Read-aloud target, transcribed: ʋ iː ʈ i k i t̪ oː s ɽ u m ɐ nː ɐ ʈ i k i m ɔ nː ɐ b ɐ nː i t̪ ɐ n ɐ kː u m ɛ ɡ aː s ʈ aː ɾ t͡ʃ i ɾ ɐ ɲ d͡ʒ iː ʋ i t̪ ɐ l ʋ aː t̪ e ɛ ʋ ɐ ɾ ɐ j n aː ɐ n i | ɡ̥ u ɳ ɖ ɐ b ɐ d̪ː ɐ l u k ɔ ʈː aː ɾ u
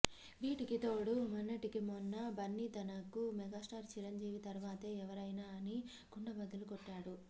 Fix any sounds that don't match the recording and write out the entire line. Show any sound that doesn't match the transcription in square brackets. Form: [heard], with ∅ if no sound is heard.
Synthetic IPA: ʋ iː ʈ i k i t̪ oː [∅] ɽ u m ɐ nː ɐ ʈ i k i m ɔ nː ɐ b ɐ nː i t̪ ɐ n ɐ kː u m ɛ ɡ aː s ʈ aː ɾ t͡ʃ i ɾ ɐ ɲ d͡ʒ iː ʋ i t̪ ɐ [ɾ] ʋ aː t̪ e ɛ ʋ ɐ ɾ ɐ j n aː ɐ n i | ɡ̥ u ɳ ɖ ɐ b ɐ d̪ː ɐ l u k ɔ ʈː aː [ɽ] u